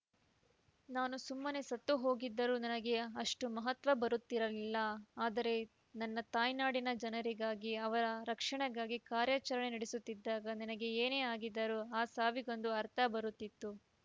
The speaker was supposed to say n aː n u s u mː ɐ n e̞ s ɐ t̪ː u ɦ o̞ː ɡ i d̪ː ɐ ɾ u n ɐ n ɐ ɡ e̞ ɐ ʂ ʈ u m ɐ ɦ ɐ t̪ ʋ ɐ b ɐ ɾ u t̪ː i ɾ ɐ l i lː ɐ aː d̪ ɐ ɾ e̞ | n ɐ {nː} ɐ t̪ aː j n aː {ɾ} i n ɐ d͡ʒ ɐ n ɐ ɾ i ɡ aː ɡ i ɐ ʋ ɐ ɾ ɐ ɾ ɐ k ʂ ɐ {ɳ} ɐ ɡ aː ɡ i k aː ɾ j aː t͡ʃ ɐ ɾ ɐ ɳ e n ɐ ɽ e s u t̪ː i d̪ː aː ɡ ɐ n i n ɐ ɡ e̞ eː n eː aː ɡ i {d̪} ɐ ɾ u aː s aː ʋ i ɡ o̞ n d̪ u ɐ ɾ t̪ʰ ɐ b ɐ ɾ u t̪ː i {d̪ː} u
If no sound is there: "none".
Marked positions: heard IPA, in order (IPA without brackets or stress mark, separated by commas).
nː, ɽ, ɳ, d̪ː, t̪ː